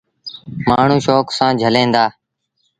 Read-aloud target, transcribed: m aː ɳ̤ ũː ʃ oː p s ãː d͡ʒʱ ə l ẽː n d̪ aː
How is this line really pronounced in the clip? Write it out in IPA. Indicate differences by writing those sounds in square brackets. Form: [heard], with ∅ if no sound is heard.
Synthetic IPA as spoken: m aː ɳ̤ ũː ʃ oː [k] s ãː d͡ʒʱ ə l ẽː n d̪ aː